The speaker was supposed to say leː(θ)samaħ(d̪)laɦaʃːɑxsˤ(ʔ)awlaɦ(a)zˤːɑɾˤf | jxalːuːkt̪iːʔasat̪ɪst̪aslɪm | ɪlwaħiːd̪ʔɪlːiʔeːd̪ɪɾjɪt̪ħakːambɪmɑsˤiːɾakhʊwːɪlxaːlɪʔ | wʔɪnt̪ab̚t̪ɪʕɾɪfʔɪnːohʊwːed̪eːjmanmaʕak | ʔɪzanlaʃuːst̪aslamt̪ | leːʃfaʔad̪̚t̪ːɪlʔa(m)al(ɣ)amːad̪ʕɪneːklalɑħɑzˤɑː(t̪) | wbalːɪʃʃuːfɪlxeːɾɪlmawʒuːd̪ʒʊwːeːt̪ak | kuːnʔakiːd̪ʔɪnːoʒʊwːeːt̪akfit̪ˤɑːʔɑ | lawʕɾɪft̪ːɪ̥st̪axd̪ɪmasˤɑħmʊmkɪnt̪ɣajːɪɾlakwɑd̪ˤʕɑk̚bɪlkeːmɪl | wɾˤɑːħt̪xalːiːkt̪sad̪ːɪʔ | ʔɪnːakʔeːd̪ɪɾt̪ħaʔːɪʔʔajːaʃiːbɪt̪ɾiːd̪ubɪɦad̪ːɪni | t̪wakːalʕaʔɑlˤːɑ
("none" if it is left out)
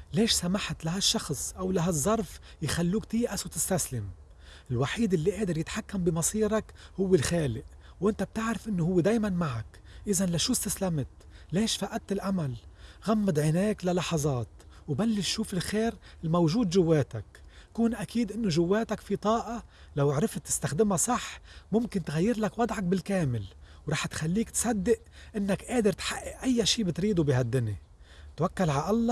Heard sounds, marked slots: ʃ, t̪, ʔ, a, m, ɣ, t̪

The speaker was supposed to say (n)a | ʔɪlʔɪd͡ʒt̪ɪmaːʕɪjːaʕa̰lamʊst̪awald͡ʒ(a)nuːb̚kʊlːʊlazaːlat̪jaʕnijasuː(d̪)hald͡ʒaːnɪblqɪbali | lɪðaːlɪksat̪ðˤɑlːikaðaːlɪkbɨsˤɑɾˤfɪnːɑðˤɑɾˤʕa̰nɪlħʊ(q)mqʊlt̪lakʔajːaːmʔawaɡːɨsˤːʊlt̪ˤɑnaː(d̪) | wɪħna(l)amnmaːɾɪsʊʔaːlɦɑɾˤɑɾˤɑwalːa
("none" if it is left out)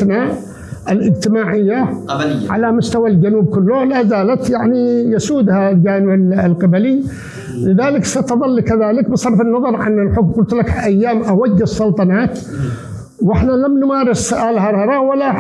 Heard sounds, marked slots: n, a, d̪, k, t̪, l

